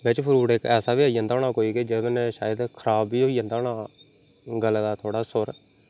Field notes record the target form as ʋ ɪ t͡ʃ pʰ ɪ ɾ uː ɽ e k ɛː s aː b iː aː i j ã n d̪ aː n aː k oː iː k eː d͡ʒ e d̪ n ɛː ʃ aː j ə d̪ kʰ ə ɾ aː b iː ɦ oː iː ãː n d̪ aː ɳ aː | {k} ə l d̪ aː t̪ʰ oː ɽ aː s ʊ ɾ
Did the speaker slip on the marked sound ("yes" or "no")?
yes